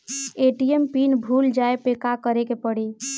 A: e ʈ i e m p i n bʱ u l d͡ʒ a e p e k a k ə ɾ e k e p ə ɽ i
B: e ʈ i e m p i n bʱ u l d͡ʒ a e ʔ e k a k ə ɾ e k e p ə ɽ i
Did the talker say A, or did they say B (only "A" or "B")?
A